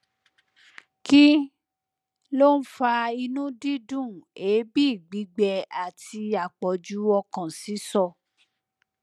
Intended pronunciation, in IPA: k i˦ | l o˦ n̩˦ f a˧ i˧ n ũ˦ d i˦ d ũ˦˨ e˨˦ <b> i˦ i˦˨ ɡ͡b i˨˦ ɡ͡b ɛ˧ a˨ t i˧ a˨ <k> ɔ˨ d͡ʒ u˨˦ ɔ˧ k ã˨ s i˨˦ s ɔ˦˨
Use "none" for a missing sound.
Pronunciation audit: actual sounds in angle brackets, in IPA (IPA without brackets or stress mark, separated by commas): b, k͡p